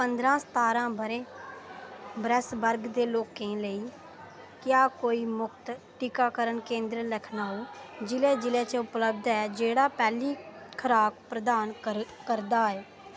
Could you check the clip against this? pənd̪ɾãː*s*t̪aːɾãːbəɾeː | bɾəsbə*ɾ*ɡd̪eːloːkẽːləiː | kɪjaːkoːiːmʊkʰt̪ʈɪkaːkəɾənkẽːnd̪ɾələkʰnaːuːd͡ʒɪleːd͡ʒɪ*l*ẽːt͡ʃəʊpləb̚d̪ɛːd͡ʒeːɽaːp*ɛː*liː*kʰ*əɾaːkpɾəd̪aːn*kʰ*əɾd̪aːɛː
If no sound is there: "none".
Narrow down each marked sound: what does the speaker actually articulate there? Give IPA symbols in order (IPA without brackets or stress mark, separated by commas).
s, ɾ, l, ɛː, kʰ, k